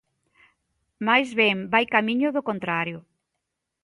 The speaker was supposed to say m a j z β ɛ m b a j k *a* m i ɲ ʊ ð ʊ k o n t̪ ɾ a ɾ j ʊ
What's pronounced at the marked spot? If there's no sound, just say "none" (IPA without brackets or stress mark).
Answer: a